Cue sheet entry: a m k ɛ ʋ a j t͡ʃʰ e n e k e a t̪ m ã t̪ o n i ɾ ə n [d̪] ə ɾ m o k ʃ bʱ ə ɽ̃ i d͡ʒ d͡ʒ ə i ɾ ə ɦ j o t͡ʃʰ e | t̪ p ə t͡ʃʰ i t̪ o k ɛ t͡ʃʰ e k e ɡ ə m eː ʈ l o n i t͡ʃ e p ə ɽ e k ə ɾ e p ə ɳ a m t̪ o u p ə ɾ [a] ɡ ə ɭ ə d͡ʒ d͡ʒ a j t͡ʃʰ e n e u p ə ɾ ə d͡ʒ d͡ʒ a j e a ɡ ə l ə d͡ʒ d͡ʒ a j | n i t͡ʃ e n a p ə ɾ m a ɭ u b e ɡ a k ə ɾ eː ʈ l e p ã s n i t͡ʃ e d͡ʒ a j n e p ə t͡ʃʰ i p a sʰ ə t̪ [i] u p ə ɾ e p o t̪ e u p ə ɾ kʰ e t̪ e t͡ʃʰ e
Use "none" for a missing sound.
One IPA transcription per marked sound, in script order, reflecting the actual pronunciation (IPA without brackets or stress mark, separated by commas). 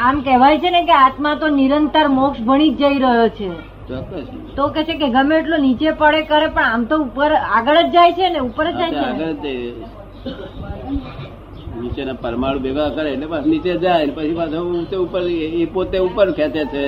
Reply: t̪, a, e